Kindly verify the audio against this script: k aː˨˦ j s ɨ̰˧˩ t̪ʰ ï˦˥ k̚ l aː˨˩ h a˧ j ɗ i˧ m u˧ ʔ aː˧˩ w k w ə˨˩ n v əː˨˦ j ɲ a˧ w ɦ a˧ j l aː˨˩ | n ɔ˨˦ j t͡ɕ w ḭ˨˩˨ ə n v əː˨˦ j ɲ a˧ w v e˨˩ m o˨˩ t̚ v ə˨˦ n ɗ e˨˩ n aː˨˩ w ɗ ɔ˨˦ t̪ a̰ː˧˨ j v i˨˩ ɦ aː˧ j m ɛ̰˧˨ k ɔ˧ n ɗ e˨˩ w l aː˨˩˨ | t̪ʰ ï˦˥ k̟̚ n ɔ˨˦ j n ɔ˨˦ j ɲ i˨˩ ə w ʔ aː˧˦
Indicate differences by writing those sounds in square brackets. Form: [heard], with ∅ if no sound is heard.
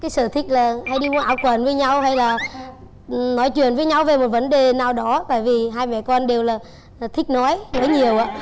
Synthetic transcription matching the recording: k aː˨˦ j s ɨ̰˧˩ t̪ʰ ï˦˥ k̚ l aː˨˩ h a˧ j ɗ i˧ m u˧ ʔ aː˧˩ w k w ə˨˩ n v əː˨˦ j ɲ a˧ w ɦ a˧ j l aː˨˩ | n ɔ˨˦ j t͡ɕ w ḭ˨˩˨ ə n v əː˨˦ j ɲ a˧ w v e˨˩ m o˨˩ t̚ v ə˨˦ n ɗ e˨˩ n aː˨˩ w ɗ ɔ˨˦ t̪ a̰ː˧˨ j v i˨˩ ɦ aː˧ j m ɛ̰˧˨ k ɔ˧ n ɗ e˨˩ w l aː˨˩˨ | t̪ʰ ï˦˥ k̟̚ n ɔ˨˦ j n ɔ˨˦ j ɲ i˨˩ ə w ʔ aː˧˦